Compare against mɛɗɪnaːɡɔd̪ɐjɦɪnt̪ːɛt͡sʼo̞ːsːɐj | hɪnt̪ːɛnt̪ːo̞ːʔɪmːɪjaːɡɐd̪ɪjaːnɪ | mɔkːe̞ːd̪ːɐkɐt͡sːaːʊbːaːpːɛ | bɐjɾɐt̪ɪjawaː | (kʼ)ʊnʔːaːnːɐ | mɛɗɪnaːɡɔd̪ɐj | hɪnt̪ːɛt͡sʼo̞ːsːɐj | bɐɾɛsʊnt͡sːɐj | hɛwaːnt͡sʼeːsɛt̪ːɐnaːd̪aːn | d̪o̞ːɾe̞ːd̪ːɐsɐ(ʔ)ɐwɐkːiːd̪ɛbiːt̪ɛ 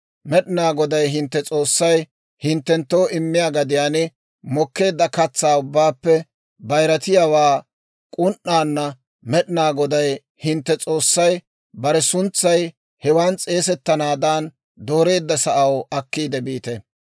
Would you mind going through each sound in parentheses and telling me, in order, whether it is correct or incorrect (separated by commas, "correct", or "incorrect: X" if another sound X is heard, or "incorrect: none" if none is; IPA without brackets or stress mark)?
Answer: correct, correct